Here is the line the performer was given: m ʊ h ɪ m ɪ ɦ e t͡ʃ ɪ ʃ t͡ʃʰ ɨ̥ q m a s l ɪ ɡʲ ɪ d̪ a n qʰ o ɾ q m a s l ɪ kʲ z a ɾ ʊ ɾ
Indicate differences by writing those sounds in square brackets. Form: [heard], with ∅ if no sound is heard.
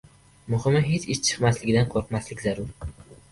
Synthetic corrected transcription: m ʊ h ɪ m ɪ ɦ e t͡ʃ ɪ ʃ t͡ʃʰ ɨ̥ q m a s l ɪ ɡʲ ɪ d̪ a n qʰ o ɾ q m a s l ɪ kʲ z a ɾ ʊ ɾ